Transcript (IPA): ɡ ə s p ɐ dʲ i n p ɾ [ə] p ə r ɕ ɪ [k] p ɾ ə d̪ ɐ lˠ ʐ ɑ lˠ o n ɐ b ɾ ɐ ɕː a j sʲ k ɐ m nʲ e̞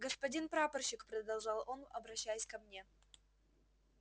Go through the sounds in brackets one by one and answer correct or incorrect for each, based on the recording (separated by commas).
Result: incorrect, correct